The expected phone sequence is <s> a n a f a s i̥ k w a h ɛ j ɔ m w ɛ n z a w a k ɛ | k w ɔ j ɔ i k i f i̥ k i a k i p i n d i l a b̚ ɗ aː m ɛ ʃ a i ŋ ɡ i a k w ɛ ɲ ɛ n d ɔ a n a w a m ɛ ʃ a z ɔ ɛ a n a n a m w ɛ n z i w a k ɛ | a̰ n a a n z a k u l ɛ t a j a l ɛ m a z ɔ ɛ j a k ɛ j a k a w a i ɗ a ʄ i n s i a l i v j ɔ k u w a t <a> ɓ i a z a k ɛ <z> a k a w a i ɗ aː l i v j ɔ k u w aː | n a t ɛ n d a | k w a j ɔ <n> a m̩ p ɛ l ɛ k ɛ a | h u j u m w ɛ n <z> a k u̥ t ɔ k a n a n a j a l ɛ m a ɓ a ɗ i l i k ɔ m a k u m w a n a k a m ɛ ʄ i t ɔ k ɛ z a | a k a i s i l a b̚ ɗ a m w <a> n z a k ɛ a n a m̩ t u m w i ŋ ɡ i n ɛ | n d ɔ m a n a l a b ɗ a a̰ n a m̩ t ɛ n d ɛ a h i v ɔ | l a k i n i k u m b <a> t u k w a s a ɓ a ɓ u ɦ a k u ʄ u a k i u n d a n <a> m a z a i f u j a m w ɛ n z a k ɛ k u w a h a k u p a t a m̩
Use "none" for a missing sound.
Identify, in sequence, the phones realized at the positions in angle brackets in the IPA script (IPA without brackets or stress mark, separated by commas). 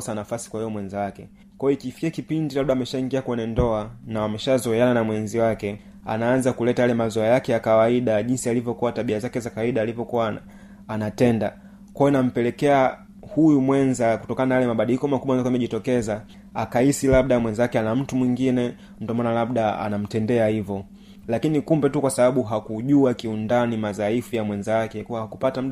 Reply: s, a, z, n, z, ɛ, ɛ, i